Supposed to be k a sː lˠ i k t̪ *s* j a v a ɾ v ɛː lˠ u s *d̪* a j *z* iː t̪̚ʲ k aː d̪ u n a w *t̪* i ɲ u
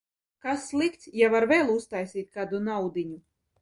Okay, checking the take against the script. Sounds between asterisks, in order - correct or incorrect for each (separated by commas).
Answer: correct, incorrect, incorrect, incorrect